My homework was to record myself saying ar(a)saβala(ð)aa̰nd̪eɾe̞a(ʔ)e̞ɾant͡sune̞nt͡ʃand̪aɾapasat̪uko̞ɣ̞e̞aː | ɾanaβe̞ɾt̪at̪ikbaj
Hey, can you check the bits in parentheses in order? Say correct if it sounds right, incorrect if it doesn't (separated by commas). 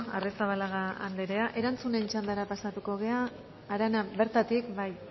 incorrect, incorrect, correct